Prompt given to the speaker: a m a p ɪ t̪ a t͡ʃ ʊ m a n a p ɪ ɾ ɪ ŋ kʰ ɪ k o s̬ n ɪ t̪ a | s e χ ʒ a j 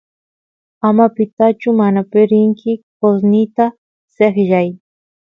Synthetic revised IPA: a m a p ɪ t̪ a t͡ʃ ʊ m a n a p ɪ ɾ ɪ ŋ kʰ ɪ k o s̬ n ɪ t̪ a | s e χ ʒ a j